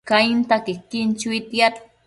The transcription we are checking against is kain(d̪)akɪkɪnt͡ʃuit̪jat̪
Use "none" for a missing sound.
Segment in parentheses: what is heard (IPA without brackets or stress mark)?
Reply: t̪